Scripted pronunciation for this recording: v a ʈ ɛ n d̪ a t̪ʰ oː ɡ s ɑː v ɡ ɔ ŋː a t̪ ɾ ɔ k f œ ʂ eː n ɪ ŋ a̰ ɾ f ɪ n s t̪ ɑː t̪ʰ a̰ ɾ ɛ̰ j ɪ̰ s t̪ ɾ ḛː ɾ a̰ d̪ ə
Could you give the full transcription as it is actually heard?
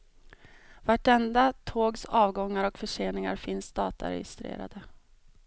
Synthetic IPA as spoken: v a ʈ ɛ n d̪ a t̪ʰ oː ɡ s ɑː v ɡ ɔ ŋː a ɾ ɔ k f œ ʂ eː n ɪ ŋ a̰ ɾ f ɪ n s d̪ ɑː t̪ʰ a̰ ɾ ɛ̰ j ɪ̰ s t̪ ɾ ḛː ɾ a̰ d̪ ə